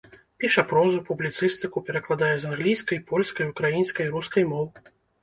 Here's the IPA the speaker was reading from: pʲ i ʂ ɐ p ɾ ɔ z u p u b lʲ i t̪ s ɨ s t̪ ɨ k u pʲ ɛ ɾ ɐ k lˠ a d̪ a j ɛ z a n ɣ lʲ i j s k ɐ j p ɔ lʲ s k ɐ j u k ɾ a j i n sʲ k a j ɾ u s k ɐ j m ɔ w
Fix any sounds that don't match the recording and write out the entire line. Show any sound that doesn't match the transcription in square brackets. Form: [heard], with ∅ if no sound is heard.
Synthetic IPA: pʲ i ʂ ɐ p ɾ ɔ z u p u b lʲ i t̪ s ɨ s t̪ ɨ k u pʲ ɛ ɾ ɐ k lˠ a d̪ a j ɛ z a n ɣ lʲ i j s k ɐ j p ɔ lʲ s k ɐ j u k ɾ a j i n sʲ k [ɐ] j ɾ u s k ɐ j m ɔ w